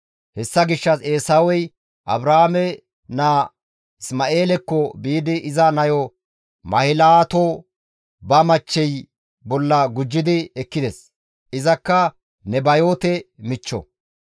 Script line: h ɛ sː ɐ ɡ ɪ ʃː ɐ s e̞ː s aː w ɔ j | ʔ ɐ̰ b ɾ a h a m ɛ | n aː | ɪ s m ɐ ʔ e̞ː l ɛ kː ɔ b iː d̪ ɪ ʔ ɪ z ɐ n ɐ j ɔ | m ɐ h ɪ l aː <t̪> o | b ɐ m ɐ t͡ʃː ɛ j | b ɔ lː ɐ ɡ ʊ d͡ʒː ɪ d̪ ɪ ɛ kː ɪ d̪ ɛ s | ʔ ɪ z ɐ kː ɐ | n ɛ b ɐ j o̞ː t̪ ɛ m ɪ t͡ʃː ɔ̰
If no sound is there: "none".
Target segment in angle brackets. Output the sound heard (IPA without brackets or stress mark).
t̪